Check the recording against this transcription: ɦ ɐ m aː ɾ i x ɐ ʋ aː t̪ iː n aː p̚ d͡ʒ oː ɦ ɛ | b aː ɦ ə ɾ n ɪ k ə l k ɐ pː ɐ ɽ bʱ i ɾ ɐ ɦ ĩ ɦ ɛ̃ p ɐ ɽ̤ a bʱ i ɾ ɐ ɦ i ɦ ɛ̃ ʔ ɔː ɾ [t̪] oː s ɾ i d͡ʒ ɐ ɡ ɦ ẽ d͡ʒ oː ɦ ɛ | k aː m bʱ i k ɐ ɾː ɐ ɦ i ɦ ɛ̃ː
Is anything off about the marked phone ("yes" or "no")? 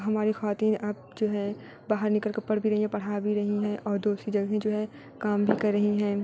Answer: yes